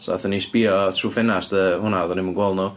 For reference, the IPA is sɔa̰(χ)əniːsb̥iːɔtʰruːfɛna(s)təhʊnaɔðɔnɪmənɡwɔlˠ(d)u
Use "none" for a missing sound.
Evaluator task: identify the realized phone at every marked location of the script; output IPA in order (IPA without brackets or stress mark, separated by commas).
θ, s, n